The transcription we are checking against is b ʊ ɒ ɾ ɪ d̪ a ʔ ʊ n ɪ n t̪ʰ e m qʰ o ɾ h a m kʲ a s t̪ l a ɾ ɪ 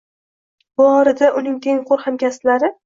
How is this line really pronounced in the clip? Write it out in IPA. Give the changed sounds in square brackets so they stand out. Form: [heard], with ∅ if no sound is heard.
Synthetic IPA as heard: b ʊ ɒ ɾ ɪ d̪ a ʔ ʊ n ɪ [ŋ] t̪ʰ e [ŋ] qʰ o ɾ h a m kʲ a s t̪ l a ɾ ɪ